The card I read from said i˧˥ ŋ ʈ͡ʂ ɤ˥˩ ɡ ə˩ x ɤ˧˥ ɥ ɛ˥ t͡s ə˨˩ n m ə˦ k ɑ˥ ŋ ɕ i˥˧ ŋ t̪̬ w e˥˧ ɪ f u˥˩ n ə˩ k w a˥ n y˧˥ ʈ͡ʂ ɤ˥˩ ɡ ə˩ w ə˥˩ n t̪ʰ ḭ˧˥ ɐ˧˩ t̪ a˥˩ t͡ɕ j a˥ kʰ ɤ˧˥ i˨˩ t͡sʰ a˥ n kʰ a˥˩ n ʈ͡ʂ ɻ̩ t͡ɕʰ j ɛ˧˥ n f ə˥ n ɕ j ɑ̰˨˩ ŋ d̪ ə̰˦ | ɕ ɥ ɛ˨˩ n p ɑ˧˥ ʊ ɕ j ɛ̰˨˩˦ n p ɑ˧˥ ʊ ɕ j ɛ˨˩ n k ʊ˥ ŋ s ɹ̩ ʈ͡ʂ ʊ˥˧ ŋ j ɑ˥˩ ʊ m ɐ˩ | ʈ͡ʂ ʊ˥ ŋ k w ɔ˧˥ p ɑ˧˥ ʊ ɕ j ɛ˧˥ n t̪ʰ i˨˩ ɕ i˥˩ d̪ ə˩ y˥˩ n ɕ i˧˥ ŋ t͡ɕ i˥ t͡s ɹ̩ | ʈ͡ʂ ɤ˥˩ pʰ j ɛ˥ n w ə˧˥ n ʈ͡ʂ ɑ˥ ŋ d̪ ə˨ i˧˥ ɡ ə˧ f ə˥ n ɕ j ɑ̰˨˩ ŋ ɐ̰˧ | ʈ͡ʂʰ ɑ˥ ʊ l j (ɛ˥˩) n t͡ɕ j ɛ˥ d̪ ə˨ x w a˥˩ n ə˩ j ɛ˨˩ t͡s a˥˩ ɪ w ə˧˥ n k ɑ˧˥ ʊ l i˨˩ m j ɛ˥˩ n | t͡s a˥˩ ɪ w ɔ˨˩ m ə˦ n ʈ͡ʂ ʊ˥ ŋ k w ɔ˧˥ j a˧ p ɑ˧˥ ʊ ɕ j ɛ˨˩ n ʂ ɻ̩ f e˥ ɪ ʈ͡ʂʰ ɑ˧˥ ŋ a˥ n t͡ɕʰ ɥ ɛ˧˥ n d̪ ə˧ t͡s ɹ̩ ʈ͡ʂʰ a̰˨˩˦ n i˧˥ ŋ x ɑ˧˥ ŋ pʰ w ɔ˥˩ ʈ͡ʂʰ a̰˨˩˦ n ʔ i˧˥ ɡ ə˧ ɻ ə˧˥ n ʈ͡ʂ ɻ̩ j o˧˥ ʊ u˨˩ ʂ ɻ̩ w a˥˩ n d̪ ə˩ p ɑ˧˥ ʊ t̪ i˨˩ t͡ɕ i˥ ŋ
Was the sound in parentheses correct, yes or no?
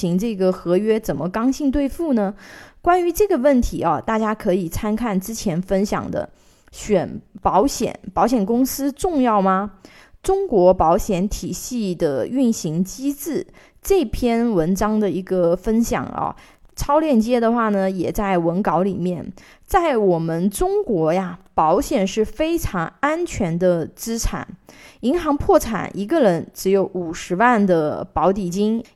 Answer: yes